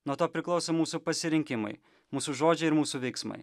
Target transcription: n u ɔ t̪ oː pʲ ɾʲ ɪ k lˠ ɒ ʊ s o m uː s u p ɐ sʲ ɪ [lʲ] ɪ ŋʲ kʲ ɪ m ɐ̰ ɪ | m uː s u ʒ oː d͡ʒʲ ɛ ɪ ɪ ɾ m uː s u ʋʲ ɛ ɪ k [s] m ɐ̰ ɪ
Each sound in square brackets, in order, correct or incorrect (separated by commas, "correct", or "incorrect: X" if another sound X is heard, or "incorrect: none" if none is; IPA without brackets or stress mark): incorrect: ɾʲ, correct